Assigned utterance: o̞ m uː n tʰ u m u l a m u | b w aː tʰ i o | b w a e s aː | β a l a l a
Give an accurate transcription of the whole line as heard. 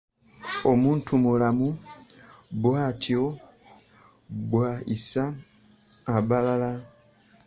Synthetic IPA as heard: o̞ m uː n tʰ u m u l a m u | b w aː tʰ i o | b w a i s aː | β a l a l a